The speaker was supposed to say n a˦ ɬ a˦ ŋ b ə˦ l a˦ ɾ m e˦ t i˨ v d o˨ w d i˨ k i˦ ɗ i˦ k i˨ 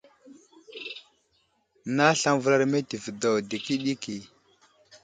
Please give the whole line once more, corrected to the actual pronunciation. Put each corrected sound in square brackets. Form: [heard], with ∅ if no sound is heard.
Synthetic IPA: n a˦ ɬ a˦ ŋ [v] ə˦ l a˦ ɾ m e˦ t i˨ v d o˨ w d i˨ k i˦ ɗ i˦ k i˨